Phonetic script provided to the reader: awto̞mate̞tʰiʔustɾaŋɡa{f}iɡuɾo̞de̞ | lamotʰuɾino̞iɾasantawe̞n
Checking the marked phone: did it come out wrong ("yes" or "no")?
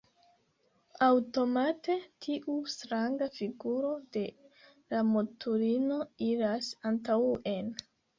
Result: no